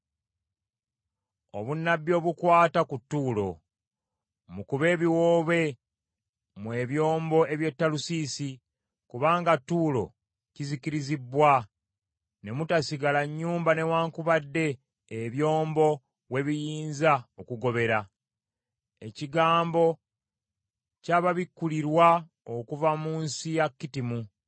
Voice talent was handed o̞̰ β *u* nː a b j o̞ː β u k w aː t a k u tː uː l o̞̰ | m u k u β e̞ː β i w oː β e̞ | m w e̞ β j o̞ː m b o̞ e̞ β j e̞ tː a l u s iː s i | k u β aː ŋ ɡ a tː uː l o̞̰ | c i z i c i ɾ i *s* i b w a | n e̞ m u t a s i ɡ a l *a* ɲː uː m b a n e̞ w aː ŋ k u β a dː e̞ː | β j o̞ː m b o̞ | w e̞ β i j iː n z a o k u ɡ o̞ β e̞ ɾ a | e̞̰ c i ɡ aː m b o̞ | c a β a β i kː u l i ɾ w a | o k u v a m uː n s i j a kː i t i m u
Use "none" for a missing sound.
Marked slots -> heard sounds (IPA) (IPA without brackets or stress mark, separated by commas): u, z, a